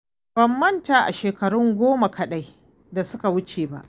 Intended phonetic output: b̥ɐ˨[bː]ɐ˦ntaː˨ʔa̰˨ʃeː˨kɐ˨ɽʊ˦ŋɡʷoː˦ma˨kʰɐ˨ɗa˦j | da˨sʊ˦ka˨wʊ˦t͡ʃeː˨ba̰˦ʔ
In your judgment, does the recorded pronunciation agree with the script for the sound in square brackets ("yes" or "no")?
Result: no